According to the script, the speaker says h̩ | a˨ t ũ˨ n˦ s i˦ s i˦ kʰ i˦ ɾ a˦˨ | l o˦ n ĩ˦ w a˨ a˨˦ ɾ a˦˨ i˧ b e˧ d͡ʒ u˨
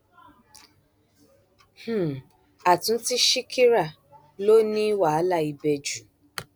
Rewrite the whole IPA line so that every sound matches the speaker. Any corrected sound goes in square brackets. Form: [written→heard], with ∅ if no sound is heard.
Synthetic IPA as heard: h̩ | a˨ t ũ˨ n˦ [s→t] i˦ [s→ʃ] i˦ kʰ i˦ ɾ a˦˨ | l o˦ n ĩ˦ w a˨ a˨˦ [ɾ→l] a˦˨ i˧ b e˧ d͡ʒ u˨